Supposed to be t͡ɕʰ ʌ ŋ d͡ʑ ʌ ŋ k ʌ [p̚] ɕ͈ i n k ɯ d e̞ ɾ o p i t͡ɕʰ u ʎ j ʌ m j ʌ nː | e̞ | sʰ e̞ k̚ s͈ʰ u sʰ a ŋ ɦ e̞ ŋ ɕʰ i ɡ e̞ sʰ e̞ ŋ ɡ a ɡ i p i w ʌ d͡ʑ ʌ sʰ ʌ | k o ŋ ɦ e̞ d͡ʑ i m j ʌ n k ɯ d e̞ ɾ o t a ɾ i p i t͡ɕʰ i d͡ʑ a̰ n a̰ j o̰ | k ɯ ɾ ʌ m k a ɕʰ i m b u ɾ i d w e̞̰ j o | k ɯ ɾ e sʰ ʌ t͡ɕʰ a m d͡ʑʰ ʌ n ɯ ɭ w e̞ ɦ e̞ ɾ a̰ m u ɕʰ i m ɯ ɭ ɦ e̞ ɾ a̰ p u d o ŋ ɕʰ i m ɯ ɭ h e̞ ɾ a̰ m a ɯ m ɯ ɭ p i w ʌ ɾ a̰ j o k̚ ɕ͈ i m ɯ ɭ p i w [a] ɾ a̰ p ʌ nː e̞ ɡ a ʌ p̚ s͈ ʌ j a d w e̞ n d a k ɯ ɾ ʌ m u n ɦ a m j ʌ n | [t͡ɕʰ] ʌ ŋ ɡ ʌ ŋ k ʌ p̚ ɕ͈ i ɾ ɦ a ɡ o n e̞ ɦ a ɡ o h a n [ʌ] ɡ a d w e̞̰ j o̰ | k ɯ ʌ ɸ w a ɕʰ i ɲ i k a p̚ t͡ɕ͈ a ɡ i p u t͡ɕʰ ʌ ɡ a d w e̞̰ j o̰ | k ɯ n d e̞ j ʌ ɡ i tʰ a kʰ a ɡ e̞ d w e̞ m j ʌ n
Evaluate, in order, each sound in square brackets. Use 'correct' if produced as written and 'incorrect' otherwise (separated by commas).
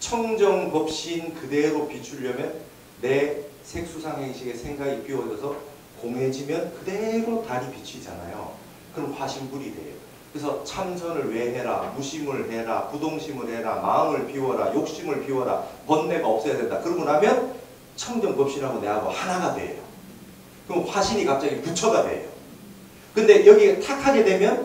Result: correct, incorrect, correct, incorrect